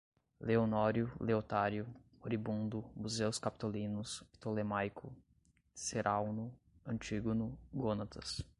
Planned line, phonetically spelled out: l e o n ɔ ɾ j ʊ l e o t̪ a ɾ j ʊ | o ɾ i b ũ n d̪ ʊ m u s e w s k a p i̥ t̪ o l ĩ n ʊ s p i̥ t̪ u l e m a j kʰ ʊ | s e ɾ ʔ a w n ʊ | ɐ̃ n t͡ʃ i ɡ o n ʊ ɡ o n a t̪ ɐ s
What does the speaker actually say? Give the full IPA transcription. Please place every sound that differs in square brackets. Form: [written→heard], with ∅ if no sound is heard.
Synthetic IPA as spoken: l e o n ɔ ɾ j ʊ l e o t̪ a ɾ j ʊ | o ɾ i b ũ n d̪ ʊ m u [s→z] e w s k a p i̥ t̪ o l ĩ n ʊ s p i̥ t̪ [u→o] l e m a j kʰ ʊ | s e ɾ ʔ a w n ʊ | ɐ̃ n t͡ʃ i ɡ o n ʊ ɡ o n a t̪ ɐ s